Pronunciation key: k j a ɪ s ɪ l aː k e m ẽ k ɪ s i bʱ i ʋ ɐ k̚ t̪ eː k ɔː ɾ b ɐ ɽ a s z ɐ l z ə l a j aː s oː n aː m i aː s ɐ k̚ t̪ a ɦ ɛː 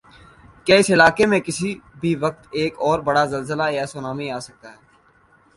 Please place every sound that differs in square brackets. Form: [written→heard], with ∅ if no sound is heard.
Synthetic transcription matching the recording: k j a ɪ s ɪ l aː k e m ẽ k ɪ s i bʱ i ʋ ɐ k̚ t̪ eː k ɔː ɾ b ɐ ɽ a [s→∅] z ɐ l z ə l a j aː s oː n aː m i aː s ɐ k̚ t̪ a ɦ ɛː